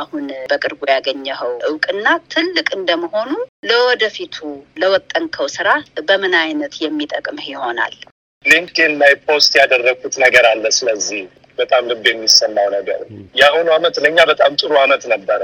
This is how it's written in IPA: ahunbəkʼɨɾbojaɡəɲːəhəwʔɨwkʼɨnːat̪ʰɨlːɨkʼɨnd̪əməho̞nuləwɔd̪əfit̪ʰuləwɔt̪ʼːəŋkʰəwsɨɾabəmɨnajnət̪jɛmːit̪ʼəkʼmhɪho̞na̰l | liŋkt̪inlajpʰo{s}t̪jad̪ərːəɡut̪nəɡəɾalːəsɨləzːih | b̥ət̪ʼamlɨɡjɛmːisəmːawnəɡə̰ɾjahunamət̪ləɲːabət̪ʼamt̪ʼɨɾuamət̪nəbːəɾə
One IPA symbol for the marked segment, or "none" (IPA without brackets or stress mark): s